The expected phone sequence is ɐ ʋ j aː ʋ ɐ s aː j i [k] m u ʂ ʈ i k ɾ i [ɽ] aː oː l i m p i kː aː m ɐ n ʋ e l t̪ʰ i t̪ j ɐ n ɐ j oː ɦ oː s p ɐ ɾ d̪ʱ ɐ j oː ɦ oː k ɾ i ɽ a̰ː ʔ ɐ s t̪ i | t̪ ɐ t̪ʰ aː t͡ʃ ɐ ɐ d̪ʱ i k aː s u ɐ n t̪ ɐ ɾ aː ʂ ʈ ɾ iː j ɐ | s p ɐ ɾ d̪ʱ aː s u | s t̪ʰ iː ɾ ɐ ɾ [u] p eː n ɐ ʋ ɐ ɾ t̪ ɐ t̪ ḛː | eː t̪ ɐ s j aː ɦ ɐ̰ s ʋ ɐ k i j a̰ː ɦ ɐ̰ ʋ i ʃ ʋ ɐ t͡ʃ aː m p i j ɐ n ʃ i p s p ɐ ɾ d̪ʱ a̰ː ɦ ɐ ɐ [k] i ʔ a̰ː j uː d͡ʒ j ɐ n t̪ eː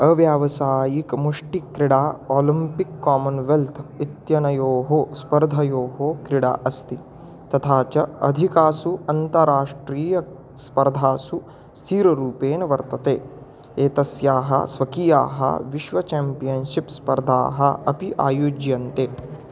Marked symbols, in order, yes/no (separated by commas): yes, yes, no, no